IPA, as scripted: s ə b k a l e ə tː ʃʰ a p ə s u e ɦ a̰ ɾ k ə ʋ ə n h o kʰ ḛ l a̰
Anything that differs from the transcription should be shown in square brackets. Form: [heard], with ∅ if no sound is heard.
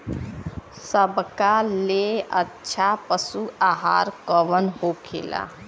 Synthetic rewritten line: s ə b k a l e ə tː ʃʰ a p ə s u [a] ɦ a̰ ɾ k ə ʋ ə n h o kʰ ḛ l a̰